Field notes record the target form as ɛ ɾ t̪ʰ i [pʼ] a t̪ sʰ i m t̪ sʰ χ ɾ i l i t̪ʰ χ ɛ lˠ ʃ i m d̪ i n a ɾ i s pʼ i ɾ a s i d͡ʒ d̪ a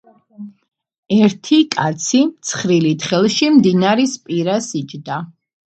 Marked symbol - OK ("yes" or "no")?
no